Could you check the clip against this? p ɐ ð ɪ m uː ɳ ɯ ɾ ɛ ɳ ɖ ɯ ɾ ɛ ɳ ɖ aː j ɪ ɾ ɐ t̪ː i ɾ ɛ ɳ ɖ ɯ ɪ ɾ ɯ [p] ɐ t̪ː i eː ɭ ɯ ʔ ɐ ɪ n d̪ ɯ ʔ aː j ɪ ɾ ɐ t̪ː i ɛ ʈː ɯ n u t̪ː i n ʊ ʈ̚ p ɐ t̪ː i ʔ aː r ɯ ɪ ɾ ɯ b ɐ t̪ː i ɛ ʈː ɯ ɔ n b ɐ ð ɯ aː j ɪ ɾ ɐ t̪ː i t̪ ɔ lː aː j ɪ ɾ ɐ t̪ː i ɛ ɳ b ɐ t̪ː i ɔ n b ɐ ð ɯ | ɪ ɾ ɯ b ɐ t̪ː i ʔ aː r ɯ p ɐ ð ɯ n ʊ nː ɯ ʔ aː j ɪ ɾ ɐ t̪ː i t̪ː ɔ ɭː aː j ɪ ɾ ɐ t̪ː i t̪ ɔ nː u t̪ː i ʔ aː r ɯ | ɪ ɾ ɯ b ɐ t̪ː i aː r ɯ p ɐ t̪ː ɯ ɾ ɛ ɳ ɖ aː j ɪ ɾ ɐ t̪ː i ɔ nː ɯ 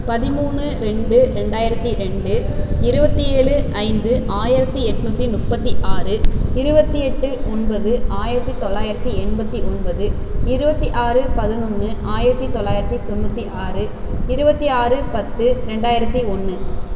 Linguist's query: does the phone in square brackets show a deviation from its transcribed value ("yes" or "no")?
yes